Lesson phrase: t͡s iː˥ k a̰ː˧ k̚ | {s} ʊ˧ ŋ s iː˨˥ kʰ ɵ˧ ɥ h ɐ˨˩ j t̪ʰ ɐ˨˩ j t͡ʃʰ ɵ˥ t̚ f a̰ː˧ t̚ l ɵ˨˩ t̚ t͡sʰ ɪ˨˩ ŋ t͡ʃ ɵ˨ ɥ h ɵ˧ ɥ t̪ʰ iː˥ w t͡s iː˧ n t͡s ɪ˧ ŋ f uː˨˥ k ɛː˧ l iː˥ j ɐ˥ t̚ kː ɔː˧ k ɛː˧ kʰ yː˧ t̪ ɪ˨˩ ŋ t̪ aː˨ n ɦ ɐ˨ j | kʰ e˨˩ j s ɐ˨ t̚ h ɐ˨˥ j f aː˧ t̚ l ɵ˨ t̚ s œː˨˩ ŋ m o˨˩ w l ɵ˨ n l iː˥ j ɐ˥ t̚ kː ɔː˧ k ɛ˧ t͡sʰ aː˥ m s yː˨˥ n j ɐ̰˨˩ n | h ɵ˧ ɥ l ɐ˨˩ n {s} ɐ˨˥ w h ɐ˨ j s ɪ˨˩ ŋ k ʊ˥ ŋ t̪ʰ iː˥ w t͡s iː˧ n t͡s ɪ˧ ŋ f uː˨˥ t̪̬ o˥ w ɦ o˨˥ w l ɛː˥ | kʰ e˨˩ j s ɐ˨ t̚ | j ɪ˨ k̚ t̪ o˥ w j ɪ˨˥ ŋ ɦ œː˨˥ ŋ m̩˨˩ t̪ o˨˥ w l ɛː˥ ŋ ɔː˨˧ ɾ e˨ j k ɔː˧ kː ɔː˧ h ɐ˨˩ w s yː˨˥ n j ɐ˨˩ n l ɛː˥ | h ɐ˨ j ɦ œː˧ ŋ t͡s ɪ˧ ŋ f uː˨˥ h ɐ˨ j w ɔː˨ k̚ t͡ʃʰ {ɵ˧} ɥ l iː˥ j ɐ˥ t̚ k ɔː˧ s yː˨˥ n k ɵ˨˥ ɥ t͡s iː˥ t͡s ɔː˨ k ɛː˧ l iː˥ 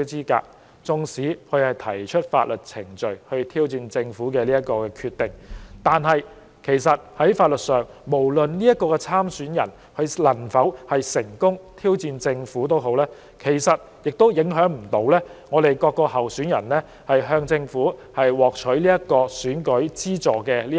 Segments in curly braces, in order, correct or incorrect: incorrect: t͡s, incorrect: f, incorrect: ɵ˨˥

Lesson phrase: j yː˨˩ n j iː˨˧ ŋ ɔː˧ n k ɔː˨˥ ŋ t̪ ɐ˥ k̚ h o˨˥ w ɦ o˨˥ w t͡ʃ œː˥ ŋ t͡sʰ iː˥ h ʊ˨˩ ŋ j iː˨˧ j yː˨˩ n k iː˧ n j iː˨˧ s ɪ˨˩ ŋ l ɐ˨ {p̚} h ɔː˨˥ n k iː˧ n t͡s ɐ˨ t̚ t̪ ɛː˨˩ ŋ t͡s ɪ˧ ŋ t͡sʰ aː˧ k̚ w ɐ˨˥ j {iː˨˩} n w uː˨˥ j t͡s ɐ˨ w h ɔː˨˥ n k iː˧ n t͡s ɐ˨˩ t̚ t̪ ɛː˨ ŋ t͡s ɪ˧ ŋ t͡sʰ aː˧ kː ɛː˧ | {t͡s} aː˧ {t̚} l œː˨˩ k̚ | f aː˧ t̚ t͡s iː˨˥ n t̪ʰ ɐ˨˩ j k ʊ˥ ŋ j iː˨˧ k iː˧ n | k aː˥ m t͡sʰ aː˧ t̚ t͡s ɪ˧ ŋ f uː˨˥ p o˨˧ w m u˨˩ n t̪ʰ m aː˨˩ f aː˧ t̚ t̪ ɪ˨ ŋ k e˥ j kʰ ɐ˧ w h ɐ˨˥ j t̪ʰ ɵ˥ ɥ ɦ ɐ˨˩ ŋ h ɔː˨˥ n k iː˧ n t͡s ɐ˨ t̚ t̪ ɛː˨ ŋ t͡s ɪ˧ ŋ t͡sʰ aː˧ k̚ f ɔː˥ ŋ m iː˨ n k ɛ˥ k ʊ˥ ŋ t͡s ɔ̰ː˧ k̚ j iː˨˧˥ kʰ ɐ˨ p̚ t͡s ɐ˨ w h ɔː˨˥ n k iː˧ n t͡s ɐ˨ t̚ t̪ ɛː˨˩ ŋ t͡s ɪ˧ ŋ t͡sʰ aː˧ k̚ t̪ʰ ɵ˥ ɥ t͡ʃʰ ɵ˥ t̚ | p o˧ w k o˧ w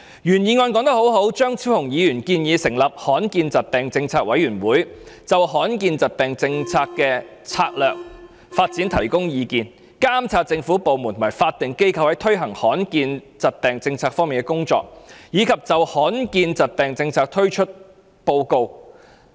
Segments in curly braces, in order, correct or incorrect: correct, incorrect: yː˨˩, incorrect: t͡sʰ, incorrect: k̚

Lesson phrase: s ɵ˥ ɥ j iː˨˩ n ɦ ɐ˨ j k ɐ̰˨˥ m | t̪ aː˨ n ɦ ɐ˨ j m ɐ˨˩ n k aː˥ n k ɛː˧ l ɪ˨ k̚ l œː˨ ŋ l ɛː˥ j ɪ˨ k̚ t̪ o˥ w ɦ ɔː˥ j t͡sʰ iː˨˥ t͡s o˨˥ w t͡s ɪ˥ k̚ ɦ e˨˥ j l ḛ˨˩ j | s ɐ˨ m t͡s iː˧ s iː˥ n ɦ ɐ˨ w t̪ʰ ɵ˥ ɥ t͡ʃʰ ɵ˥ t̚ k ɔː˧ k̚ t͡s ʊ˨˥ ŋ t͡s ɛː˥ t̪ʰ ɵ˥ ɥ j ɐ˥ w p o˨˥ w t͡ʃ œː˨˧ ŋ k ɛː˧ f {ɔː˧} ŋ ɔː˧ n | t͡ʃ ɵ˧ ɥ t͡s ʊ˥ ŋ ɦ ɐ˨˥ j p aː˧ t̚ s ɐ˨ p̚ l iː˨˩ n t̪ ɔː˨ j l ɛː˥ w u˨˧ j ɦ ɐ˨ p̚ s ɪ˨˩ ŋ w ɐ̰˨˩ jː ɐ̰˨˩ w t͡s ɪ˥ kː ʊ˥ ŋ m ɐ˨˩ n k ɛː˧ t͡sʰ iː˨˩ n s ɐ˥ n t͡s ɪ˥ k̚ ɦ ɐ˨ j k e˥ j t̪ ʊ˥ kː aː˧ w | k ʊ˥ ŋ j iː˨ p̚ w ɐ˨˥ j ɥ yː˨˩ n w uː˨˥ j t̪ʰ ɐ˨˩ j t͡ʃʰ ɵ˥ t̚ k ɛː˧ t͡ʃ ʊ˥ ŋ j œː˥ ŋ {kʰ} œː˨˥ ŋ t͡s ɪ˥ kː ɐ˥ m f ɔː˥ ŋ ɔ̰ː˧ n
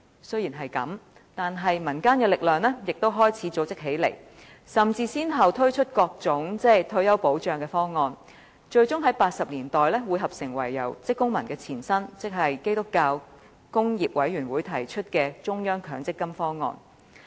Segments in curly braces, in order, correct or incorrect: incorrect: ɔː˥, correct

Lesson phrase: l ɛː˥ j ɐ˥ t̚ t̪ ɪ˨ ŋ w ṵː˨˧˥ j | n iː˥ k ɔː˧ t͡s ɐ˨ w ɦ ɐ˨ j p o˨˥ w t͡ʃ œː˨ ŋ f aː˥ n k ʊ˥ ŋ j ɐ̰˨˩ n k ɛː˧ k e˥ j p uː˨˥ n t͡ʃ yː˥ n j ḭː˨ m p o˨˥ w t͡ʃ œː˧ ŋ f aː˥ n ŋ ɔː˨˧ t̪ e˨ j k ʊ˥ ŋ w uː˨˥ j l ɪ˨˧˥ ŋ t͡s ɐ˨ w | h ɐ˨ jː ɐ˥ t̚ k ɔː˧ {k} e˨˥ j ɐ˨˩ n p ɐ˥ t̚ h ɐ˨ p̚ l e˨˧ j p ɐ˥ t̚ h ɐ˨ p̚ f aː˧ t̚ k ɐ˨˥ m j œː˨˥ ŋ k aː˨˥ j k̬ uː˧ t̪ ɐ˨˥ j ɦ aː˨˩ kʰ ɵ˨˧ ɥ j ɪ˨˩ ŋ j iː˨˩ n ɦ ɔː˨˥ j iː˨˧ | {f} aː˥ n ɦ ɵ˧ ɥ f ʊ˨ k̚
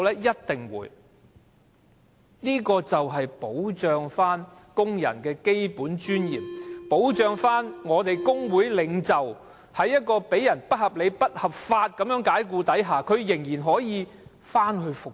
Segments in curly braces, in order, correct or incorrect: incorrect: p, correct

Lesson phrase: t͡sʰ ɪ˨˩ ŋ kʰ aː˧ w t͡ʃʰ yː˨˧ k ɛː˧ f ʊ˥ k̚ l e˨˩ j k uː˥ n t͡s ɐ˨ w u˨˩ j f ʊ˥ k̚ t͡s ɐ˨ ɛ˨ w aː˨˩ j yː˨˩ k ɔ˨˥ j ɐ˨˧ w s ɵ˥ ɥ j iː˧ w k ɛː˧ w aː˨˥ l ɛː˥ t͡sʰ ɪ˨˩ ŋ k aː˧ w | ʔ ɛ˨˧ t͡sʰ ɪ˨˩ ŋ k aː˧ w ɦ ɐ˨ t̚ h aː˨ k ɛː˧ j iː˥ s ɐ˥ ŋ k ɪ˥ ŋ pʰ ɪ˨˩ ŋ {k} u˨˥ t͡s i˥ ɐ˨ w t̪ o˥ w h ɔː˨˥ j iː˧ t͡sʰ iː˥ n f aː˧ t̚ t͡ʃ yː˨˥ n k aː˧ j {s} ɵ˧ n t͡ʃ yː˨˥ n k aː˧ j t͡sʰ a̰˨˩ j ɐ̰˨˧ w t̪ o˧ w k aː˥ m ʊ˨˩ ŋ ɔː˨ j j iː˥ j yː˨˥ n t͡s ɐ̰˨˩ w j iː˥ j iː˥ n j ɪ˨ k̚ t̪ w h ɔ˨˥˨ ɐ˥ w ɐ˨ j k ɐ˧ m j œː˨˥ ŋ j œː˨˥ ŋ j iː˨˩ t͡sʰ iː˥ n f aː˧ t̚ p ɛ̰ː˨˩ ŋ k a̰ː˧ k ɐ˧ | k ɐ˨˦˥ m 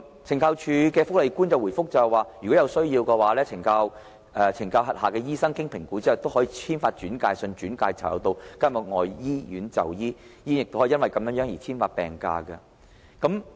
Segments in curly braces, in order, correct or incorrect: correct, correct

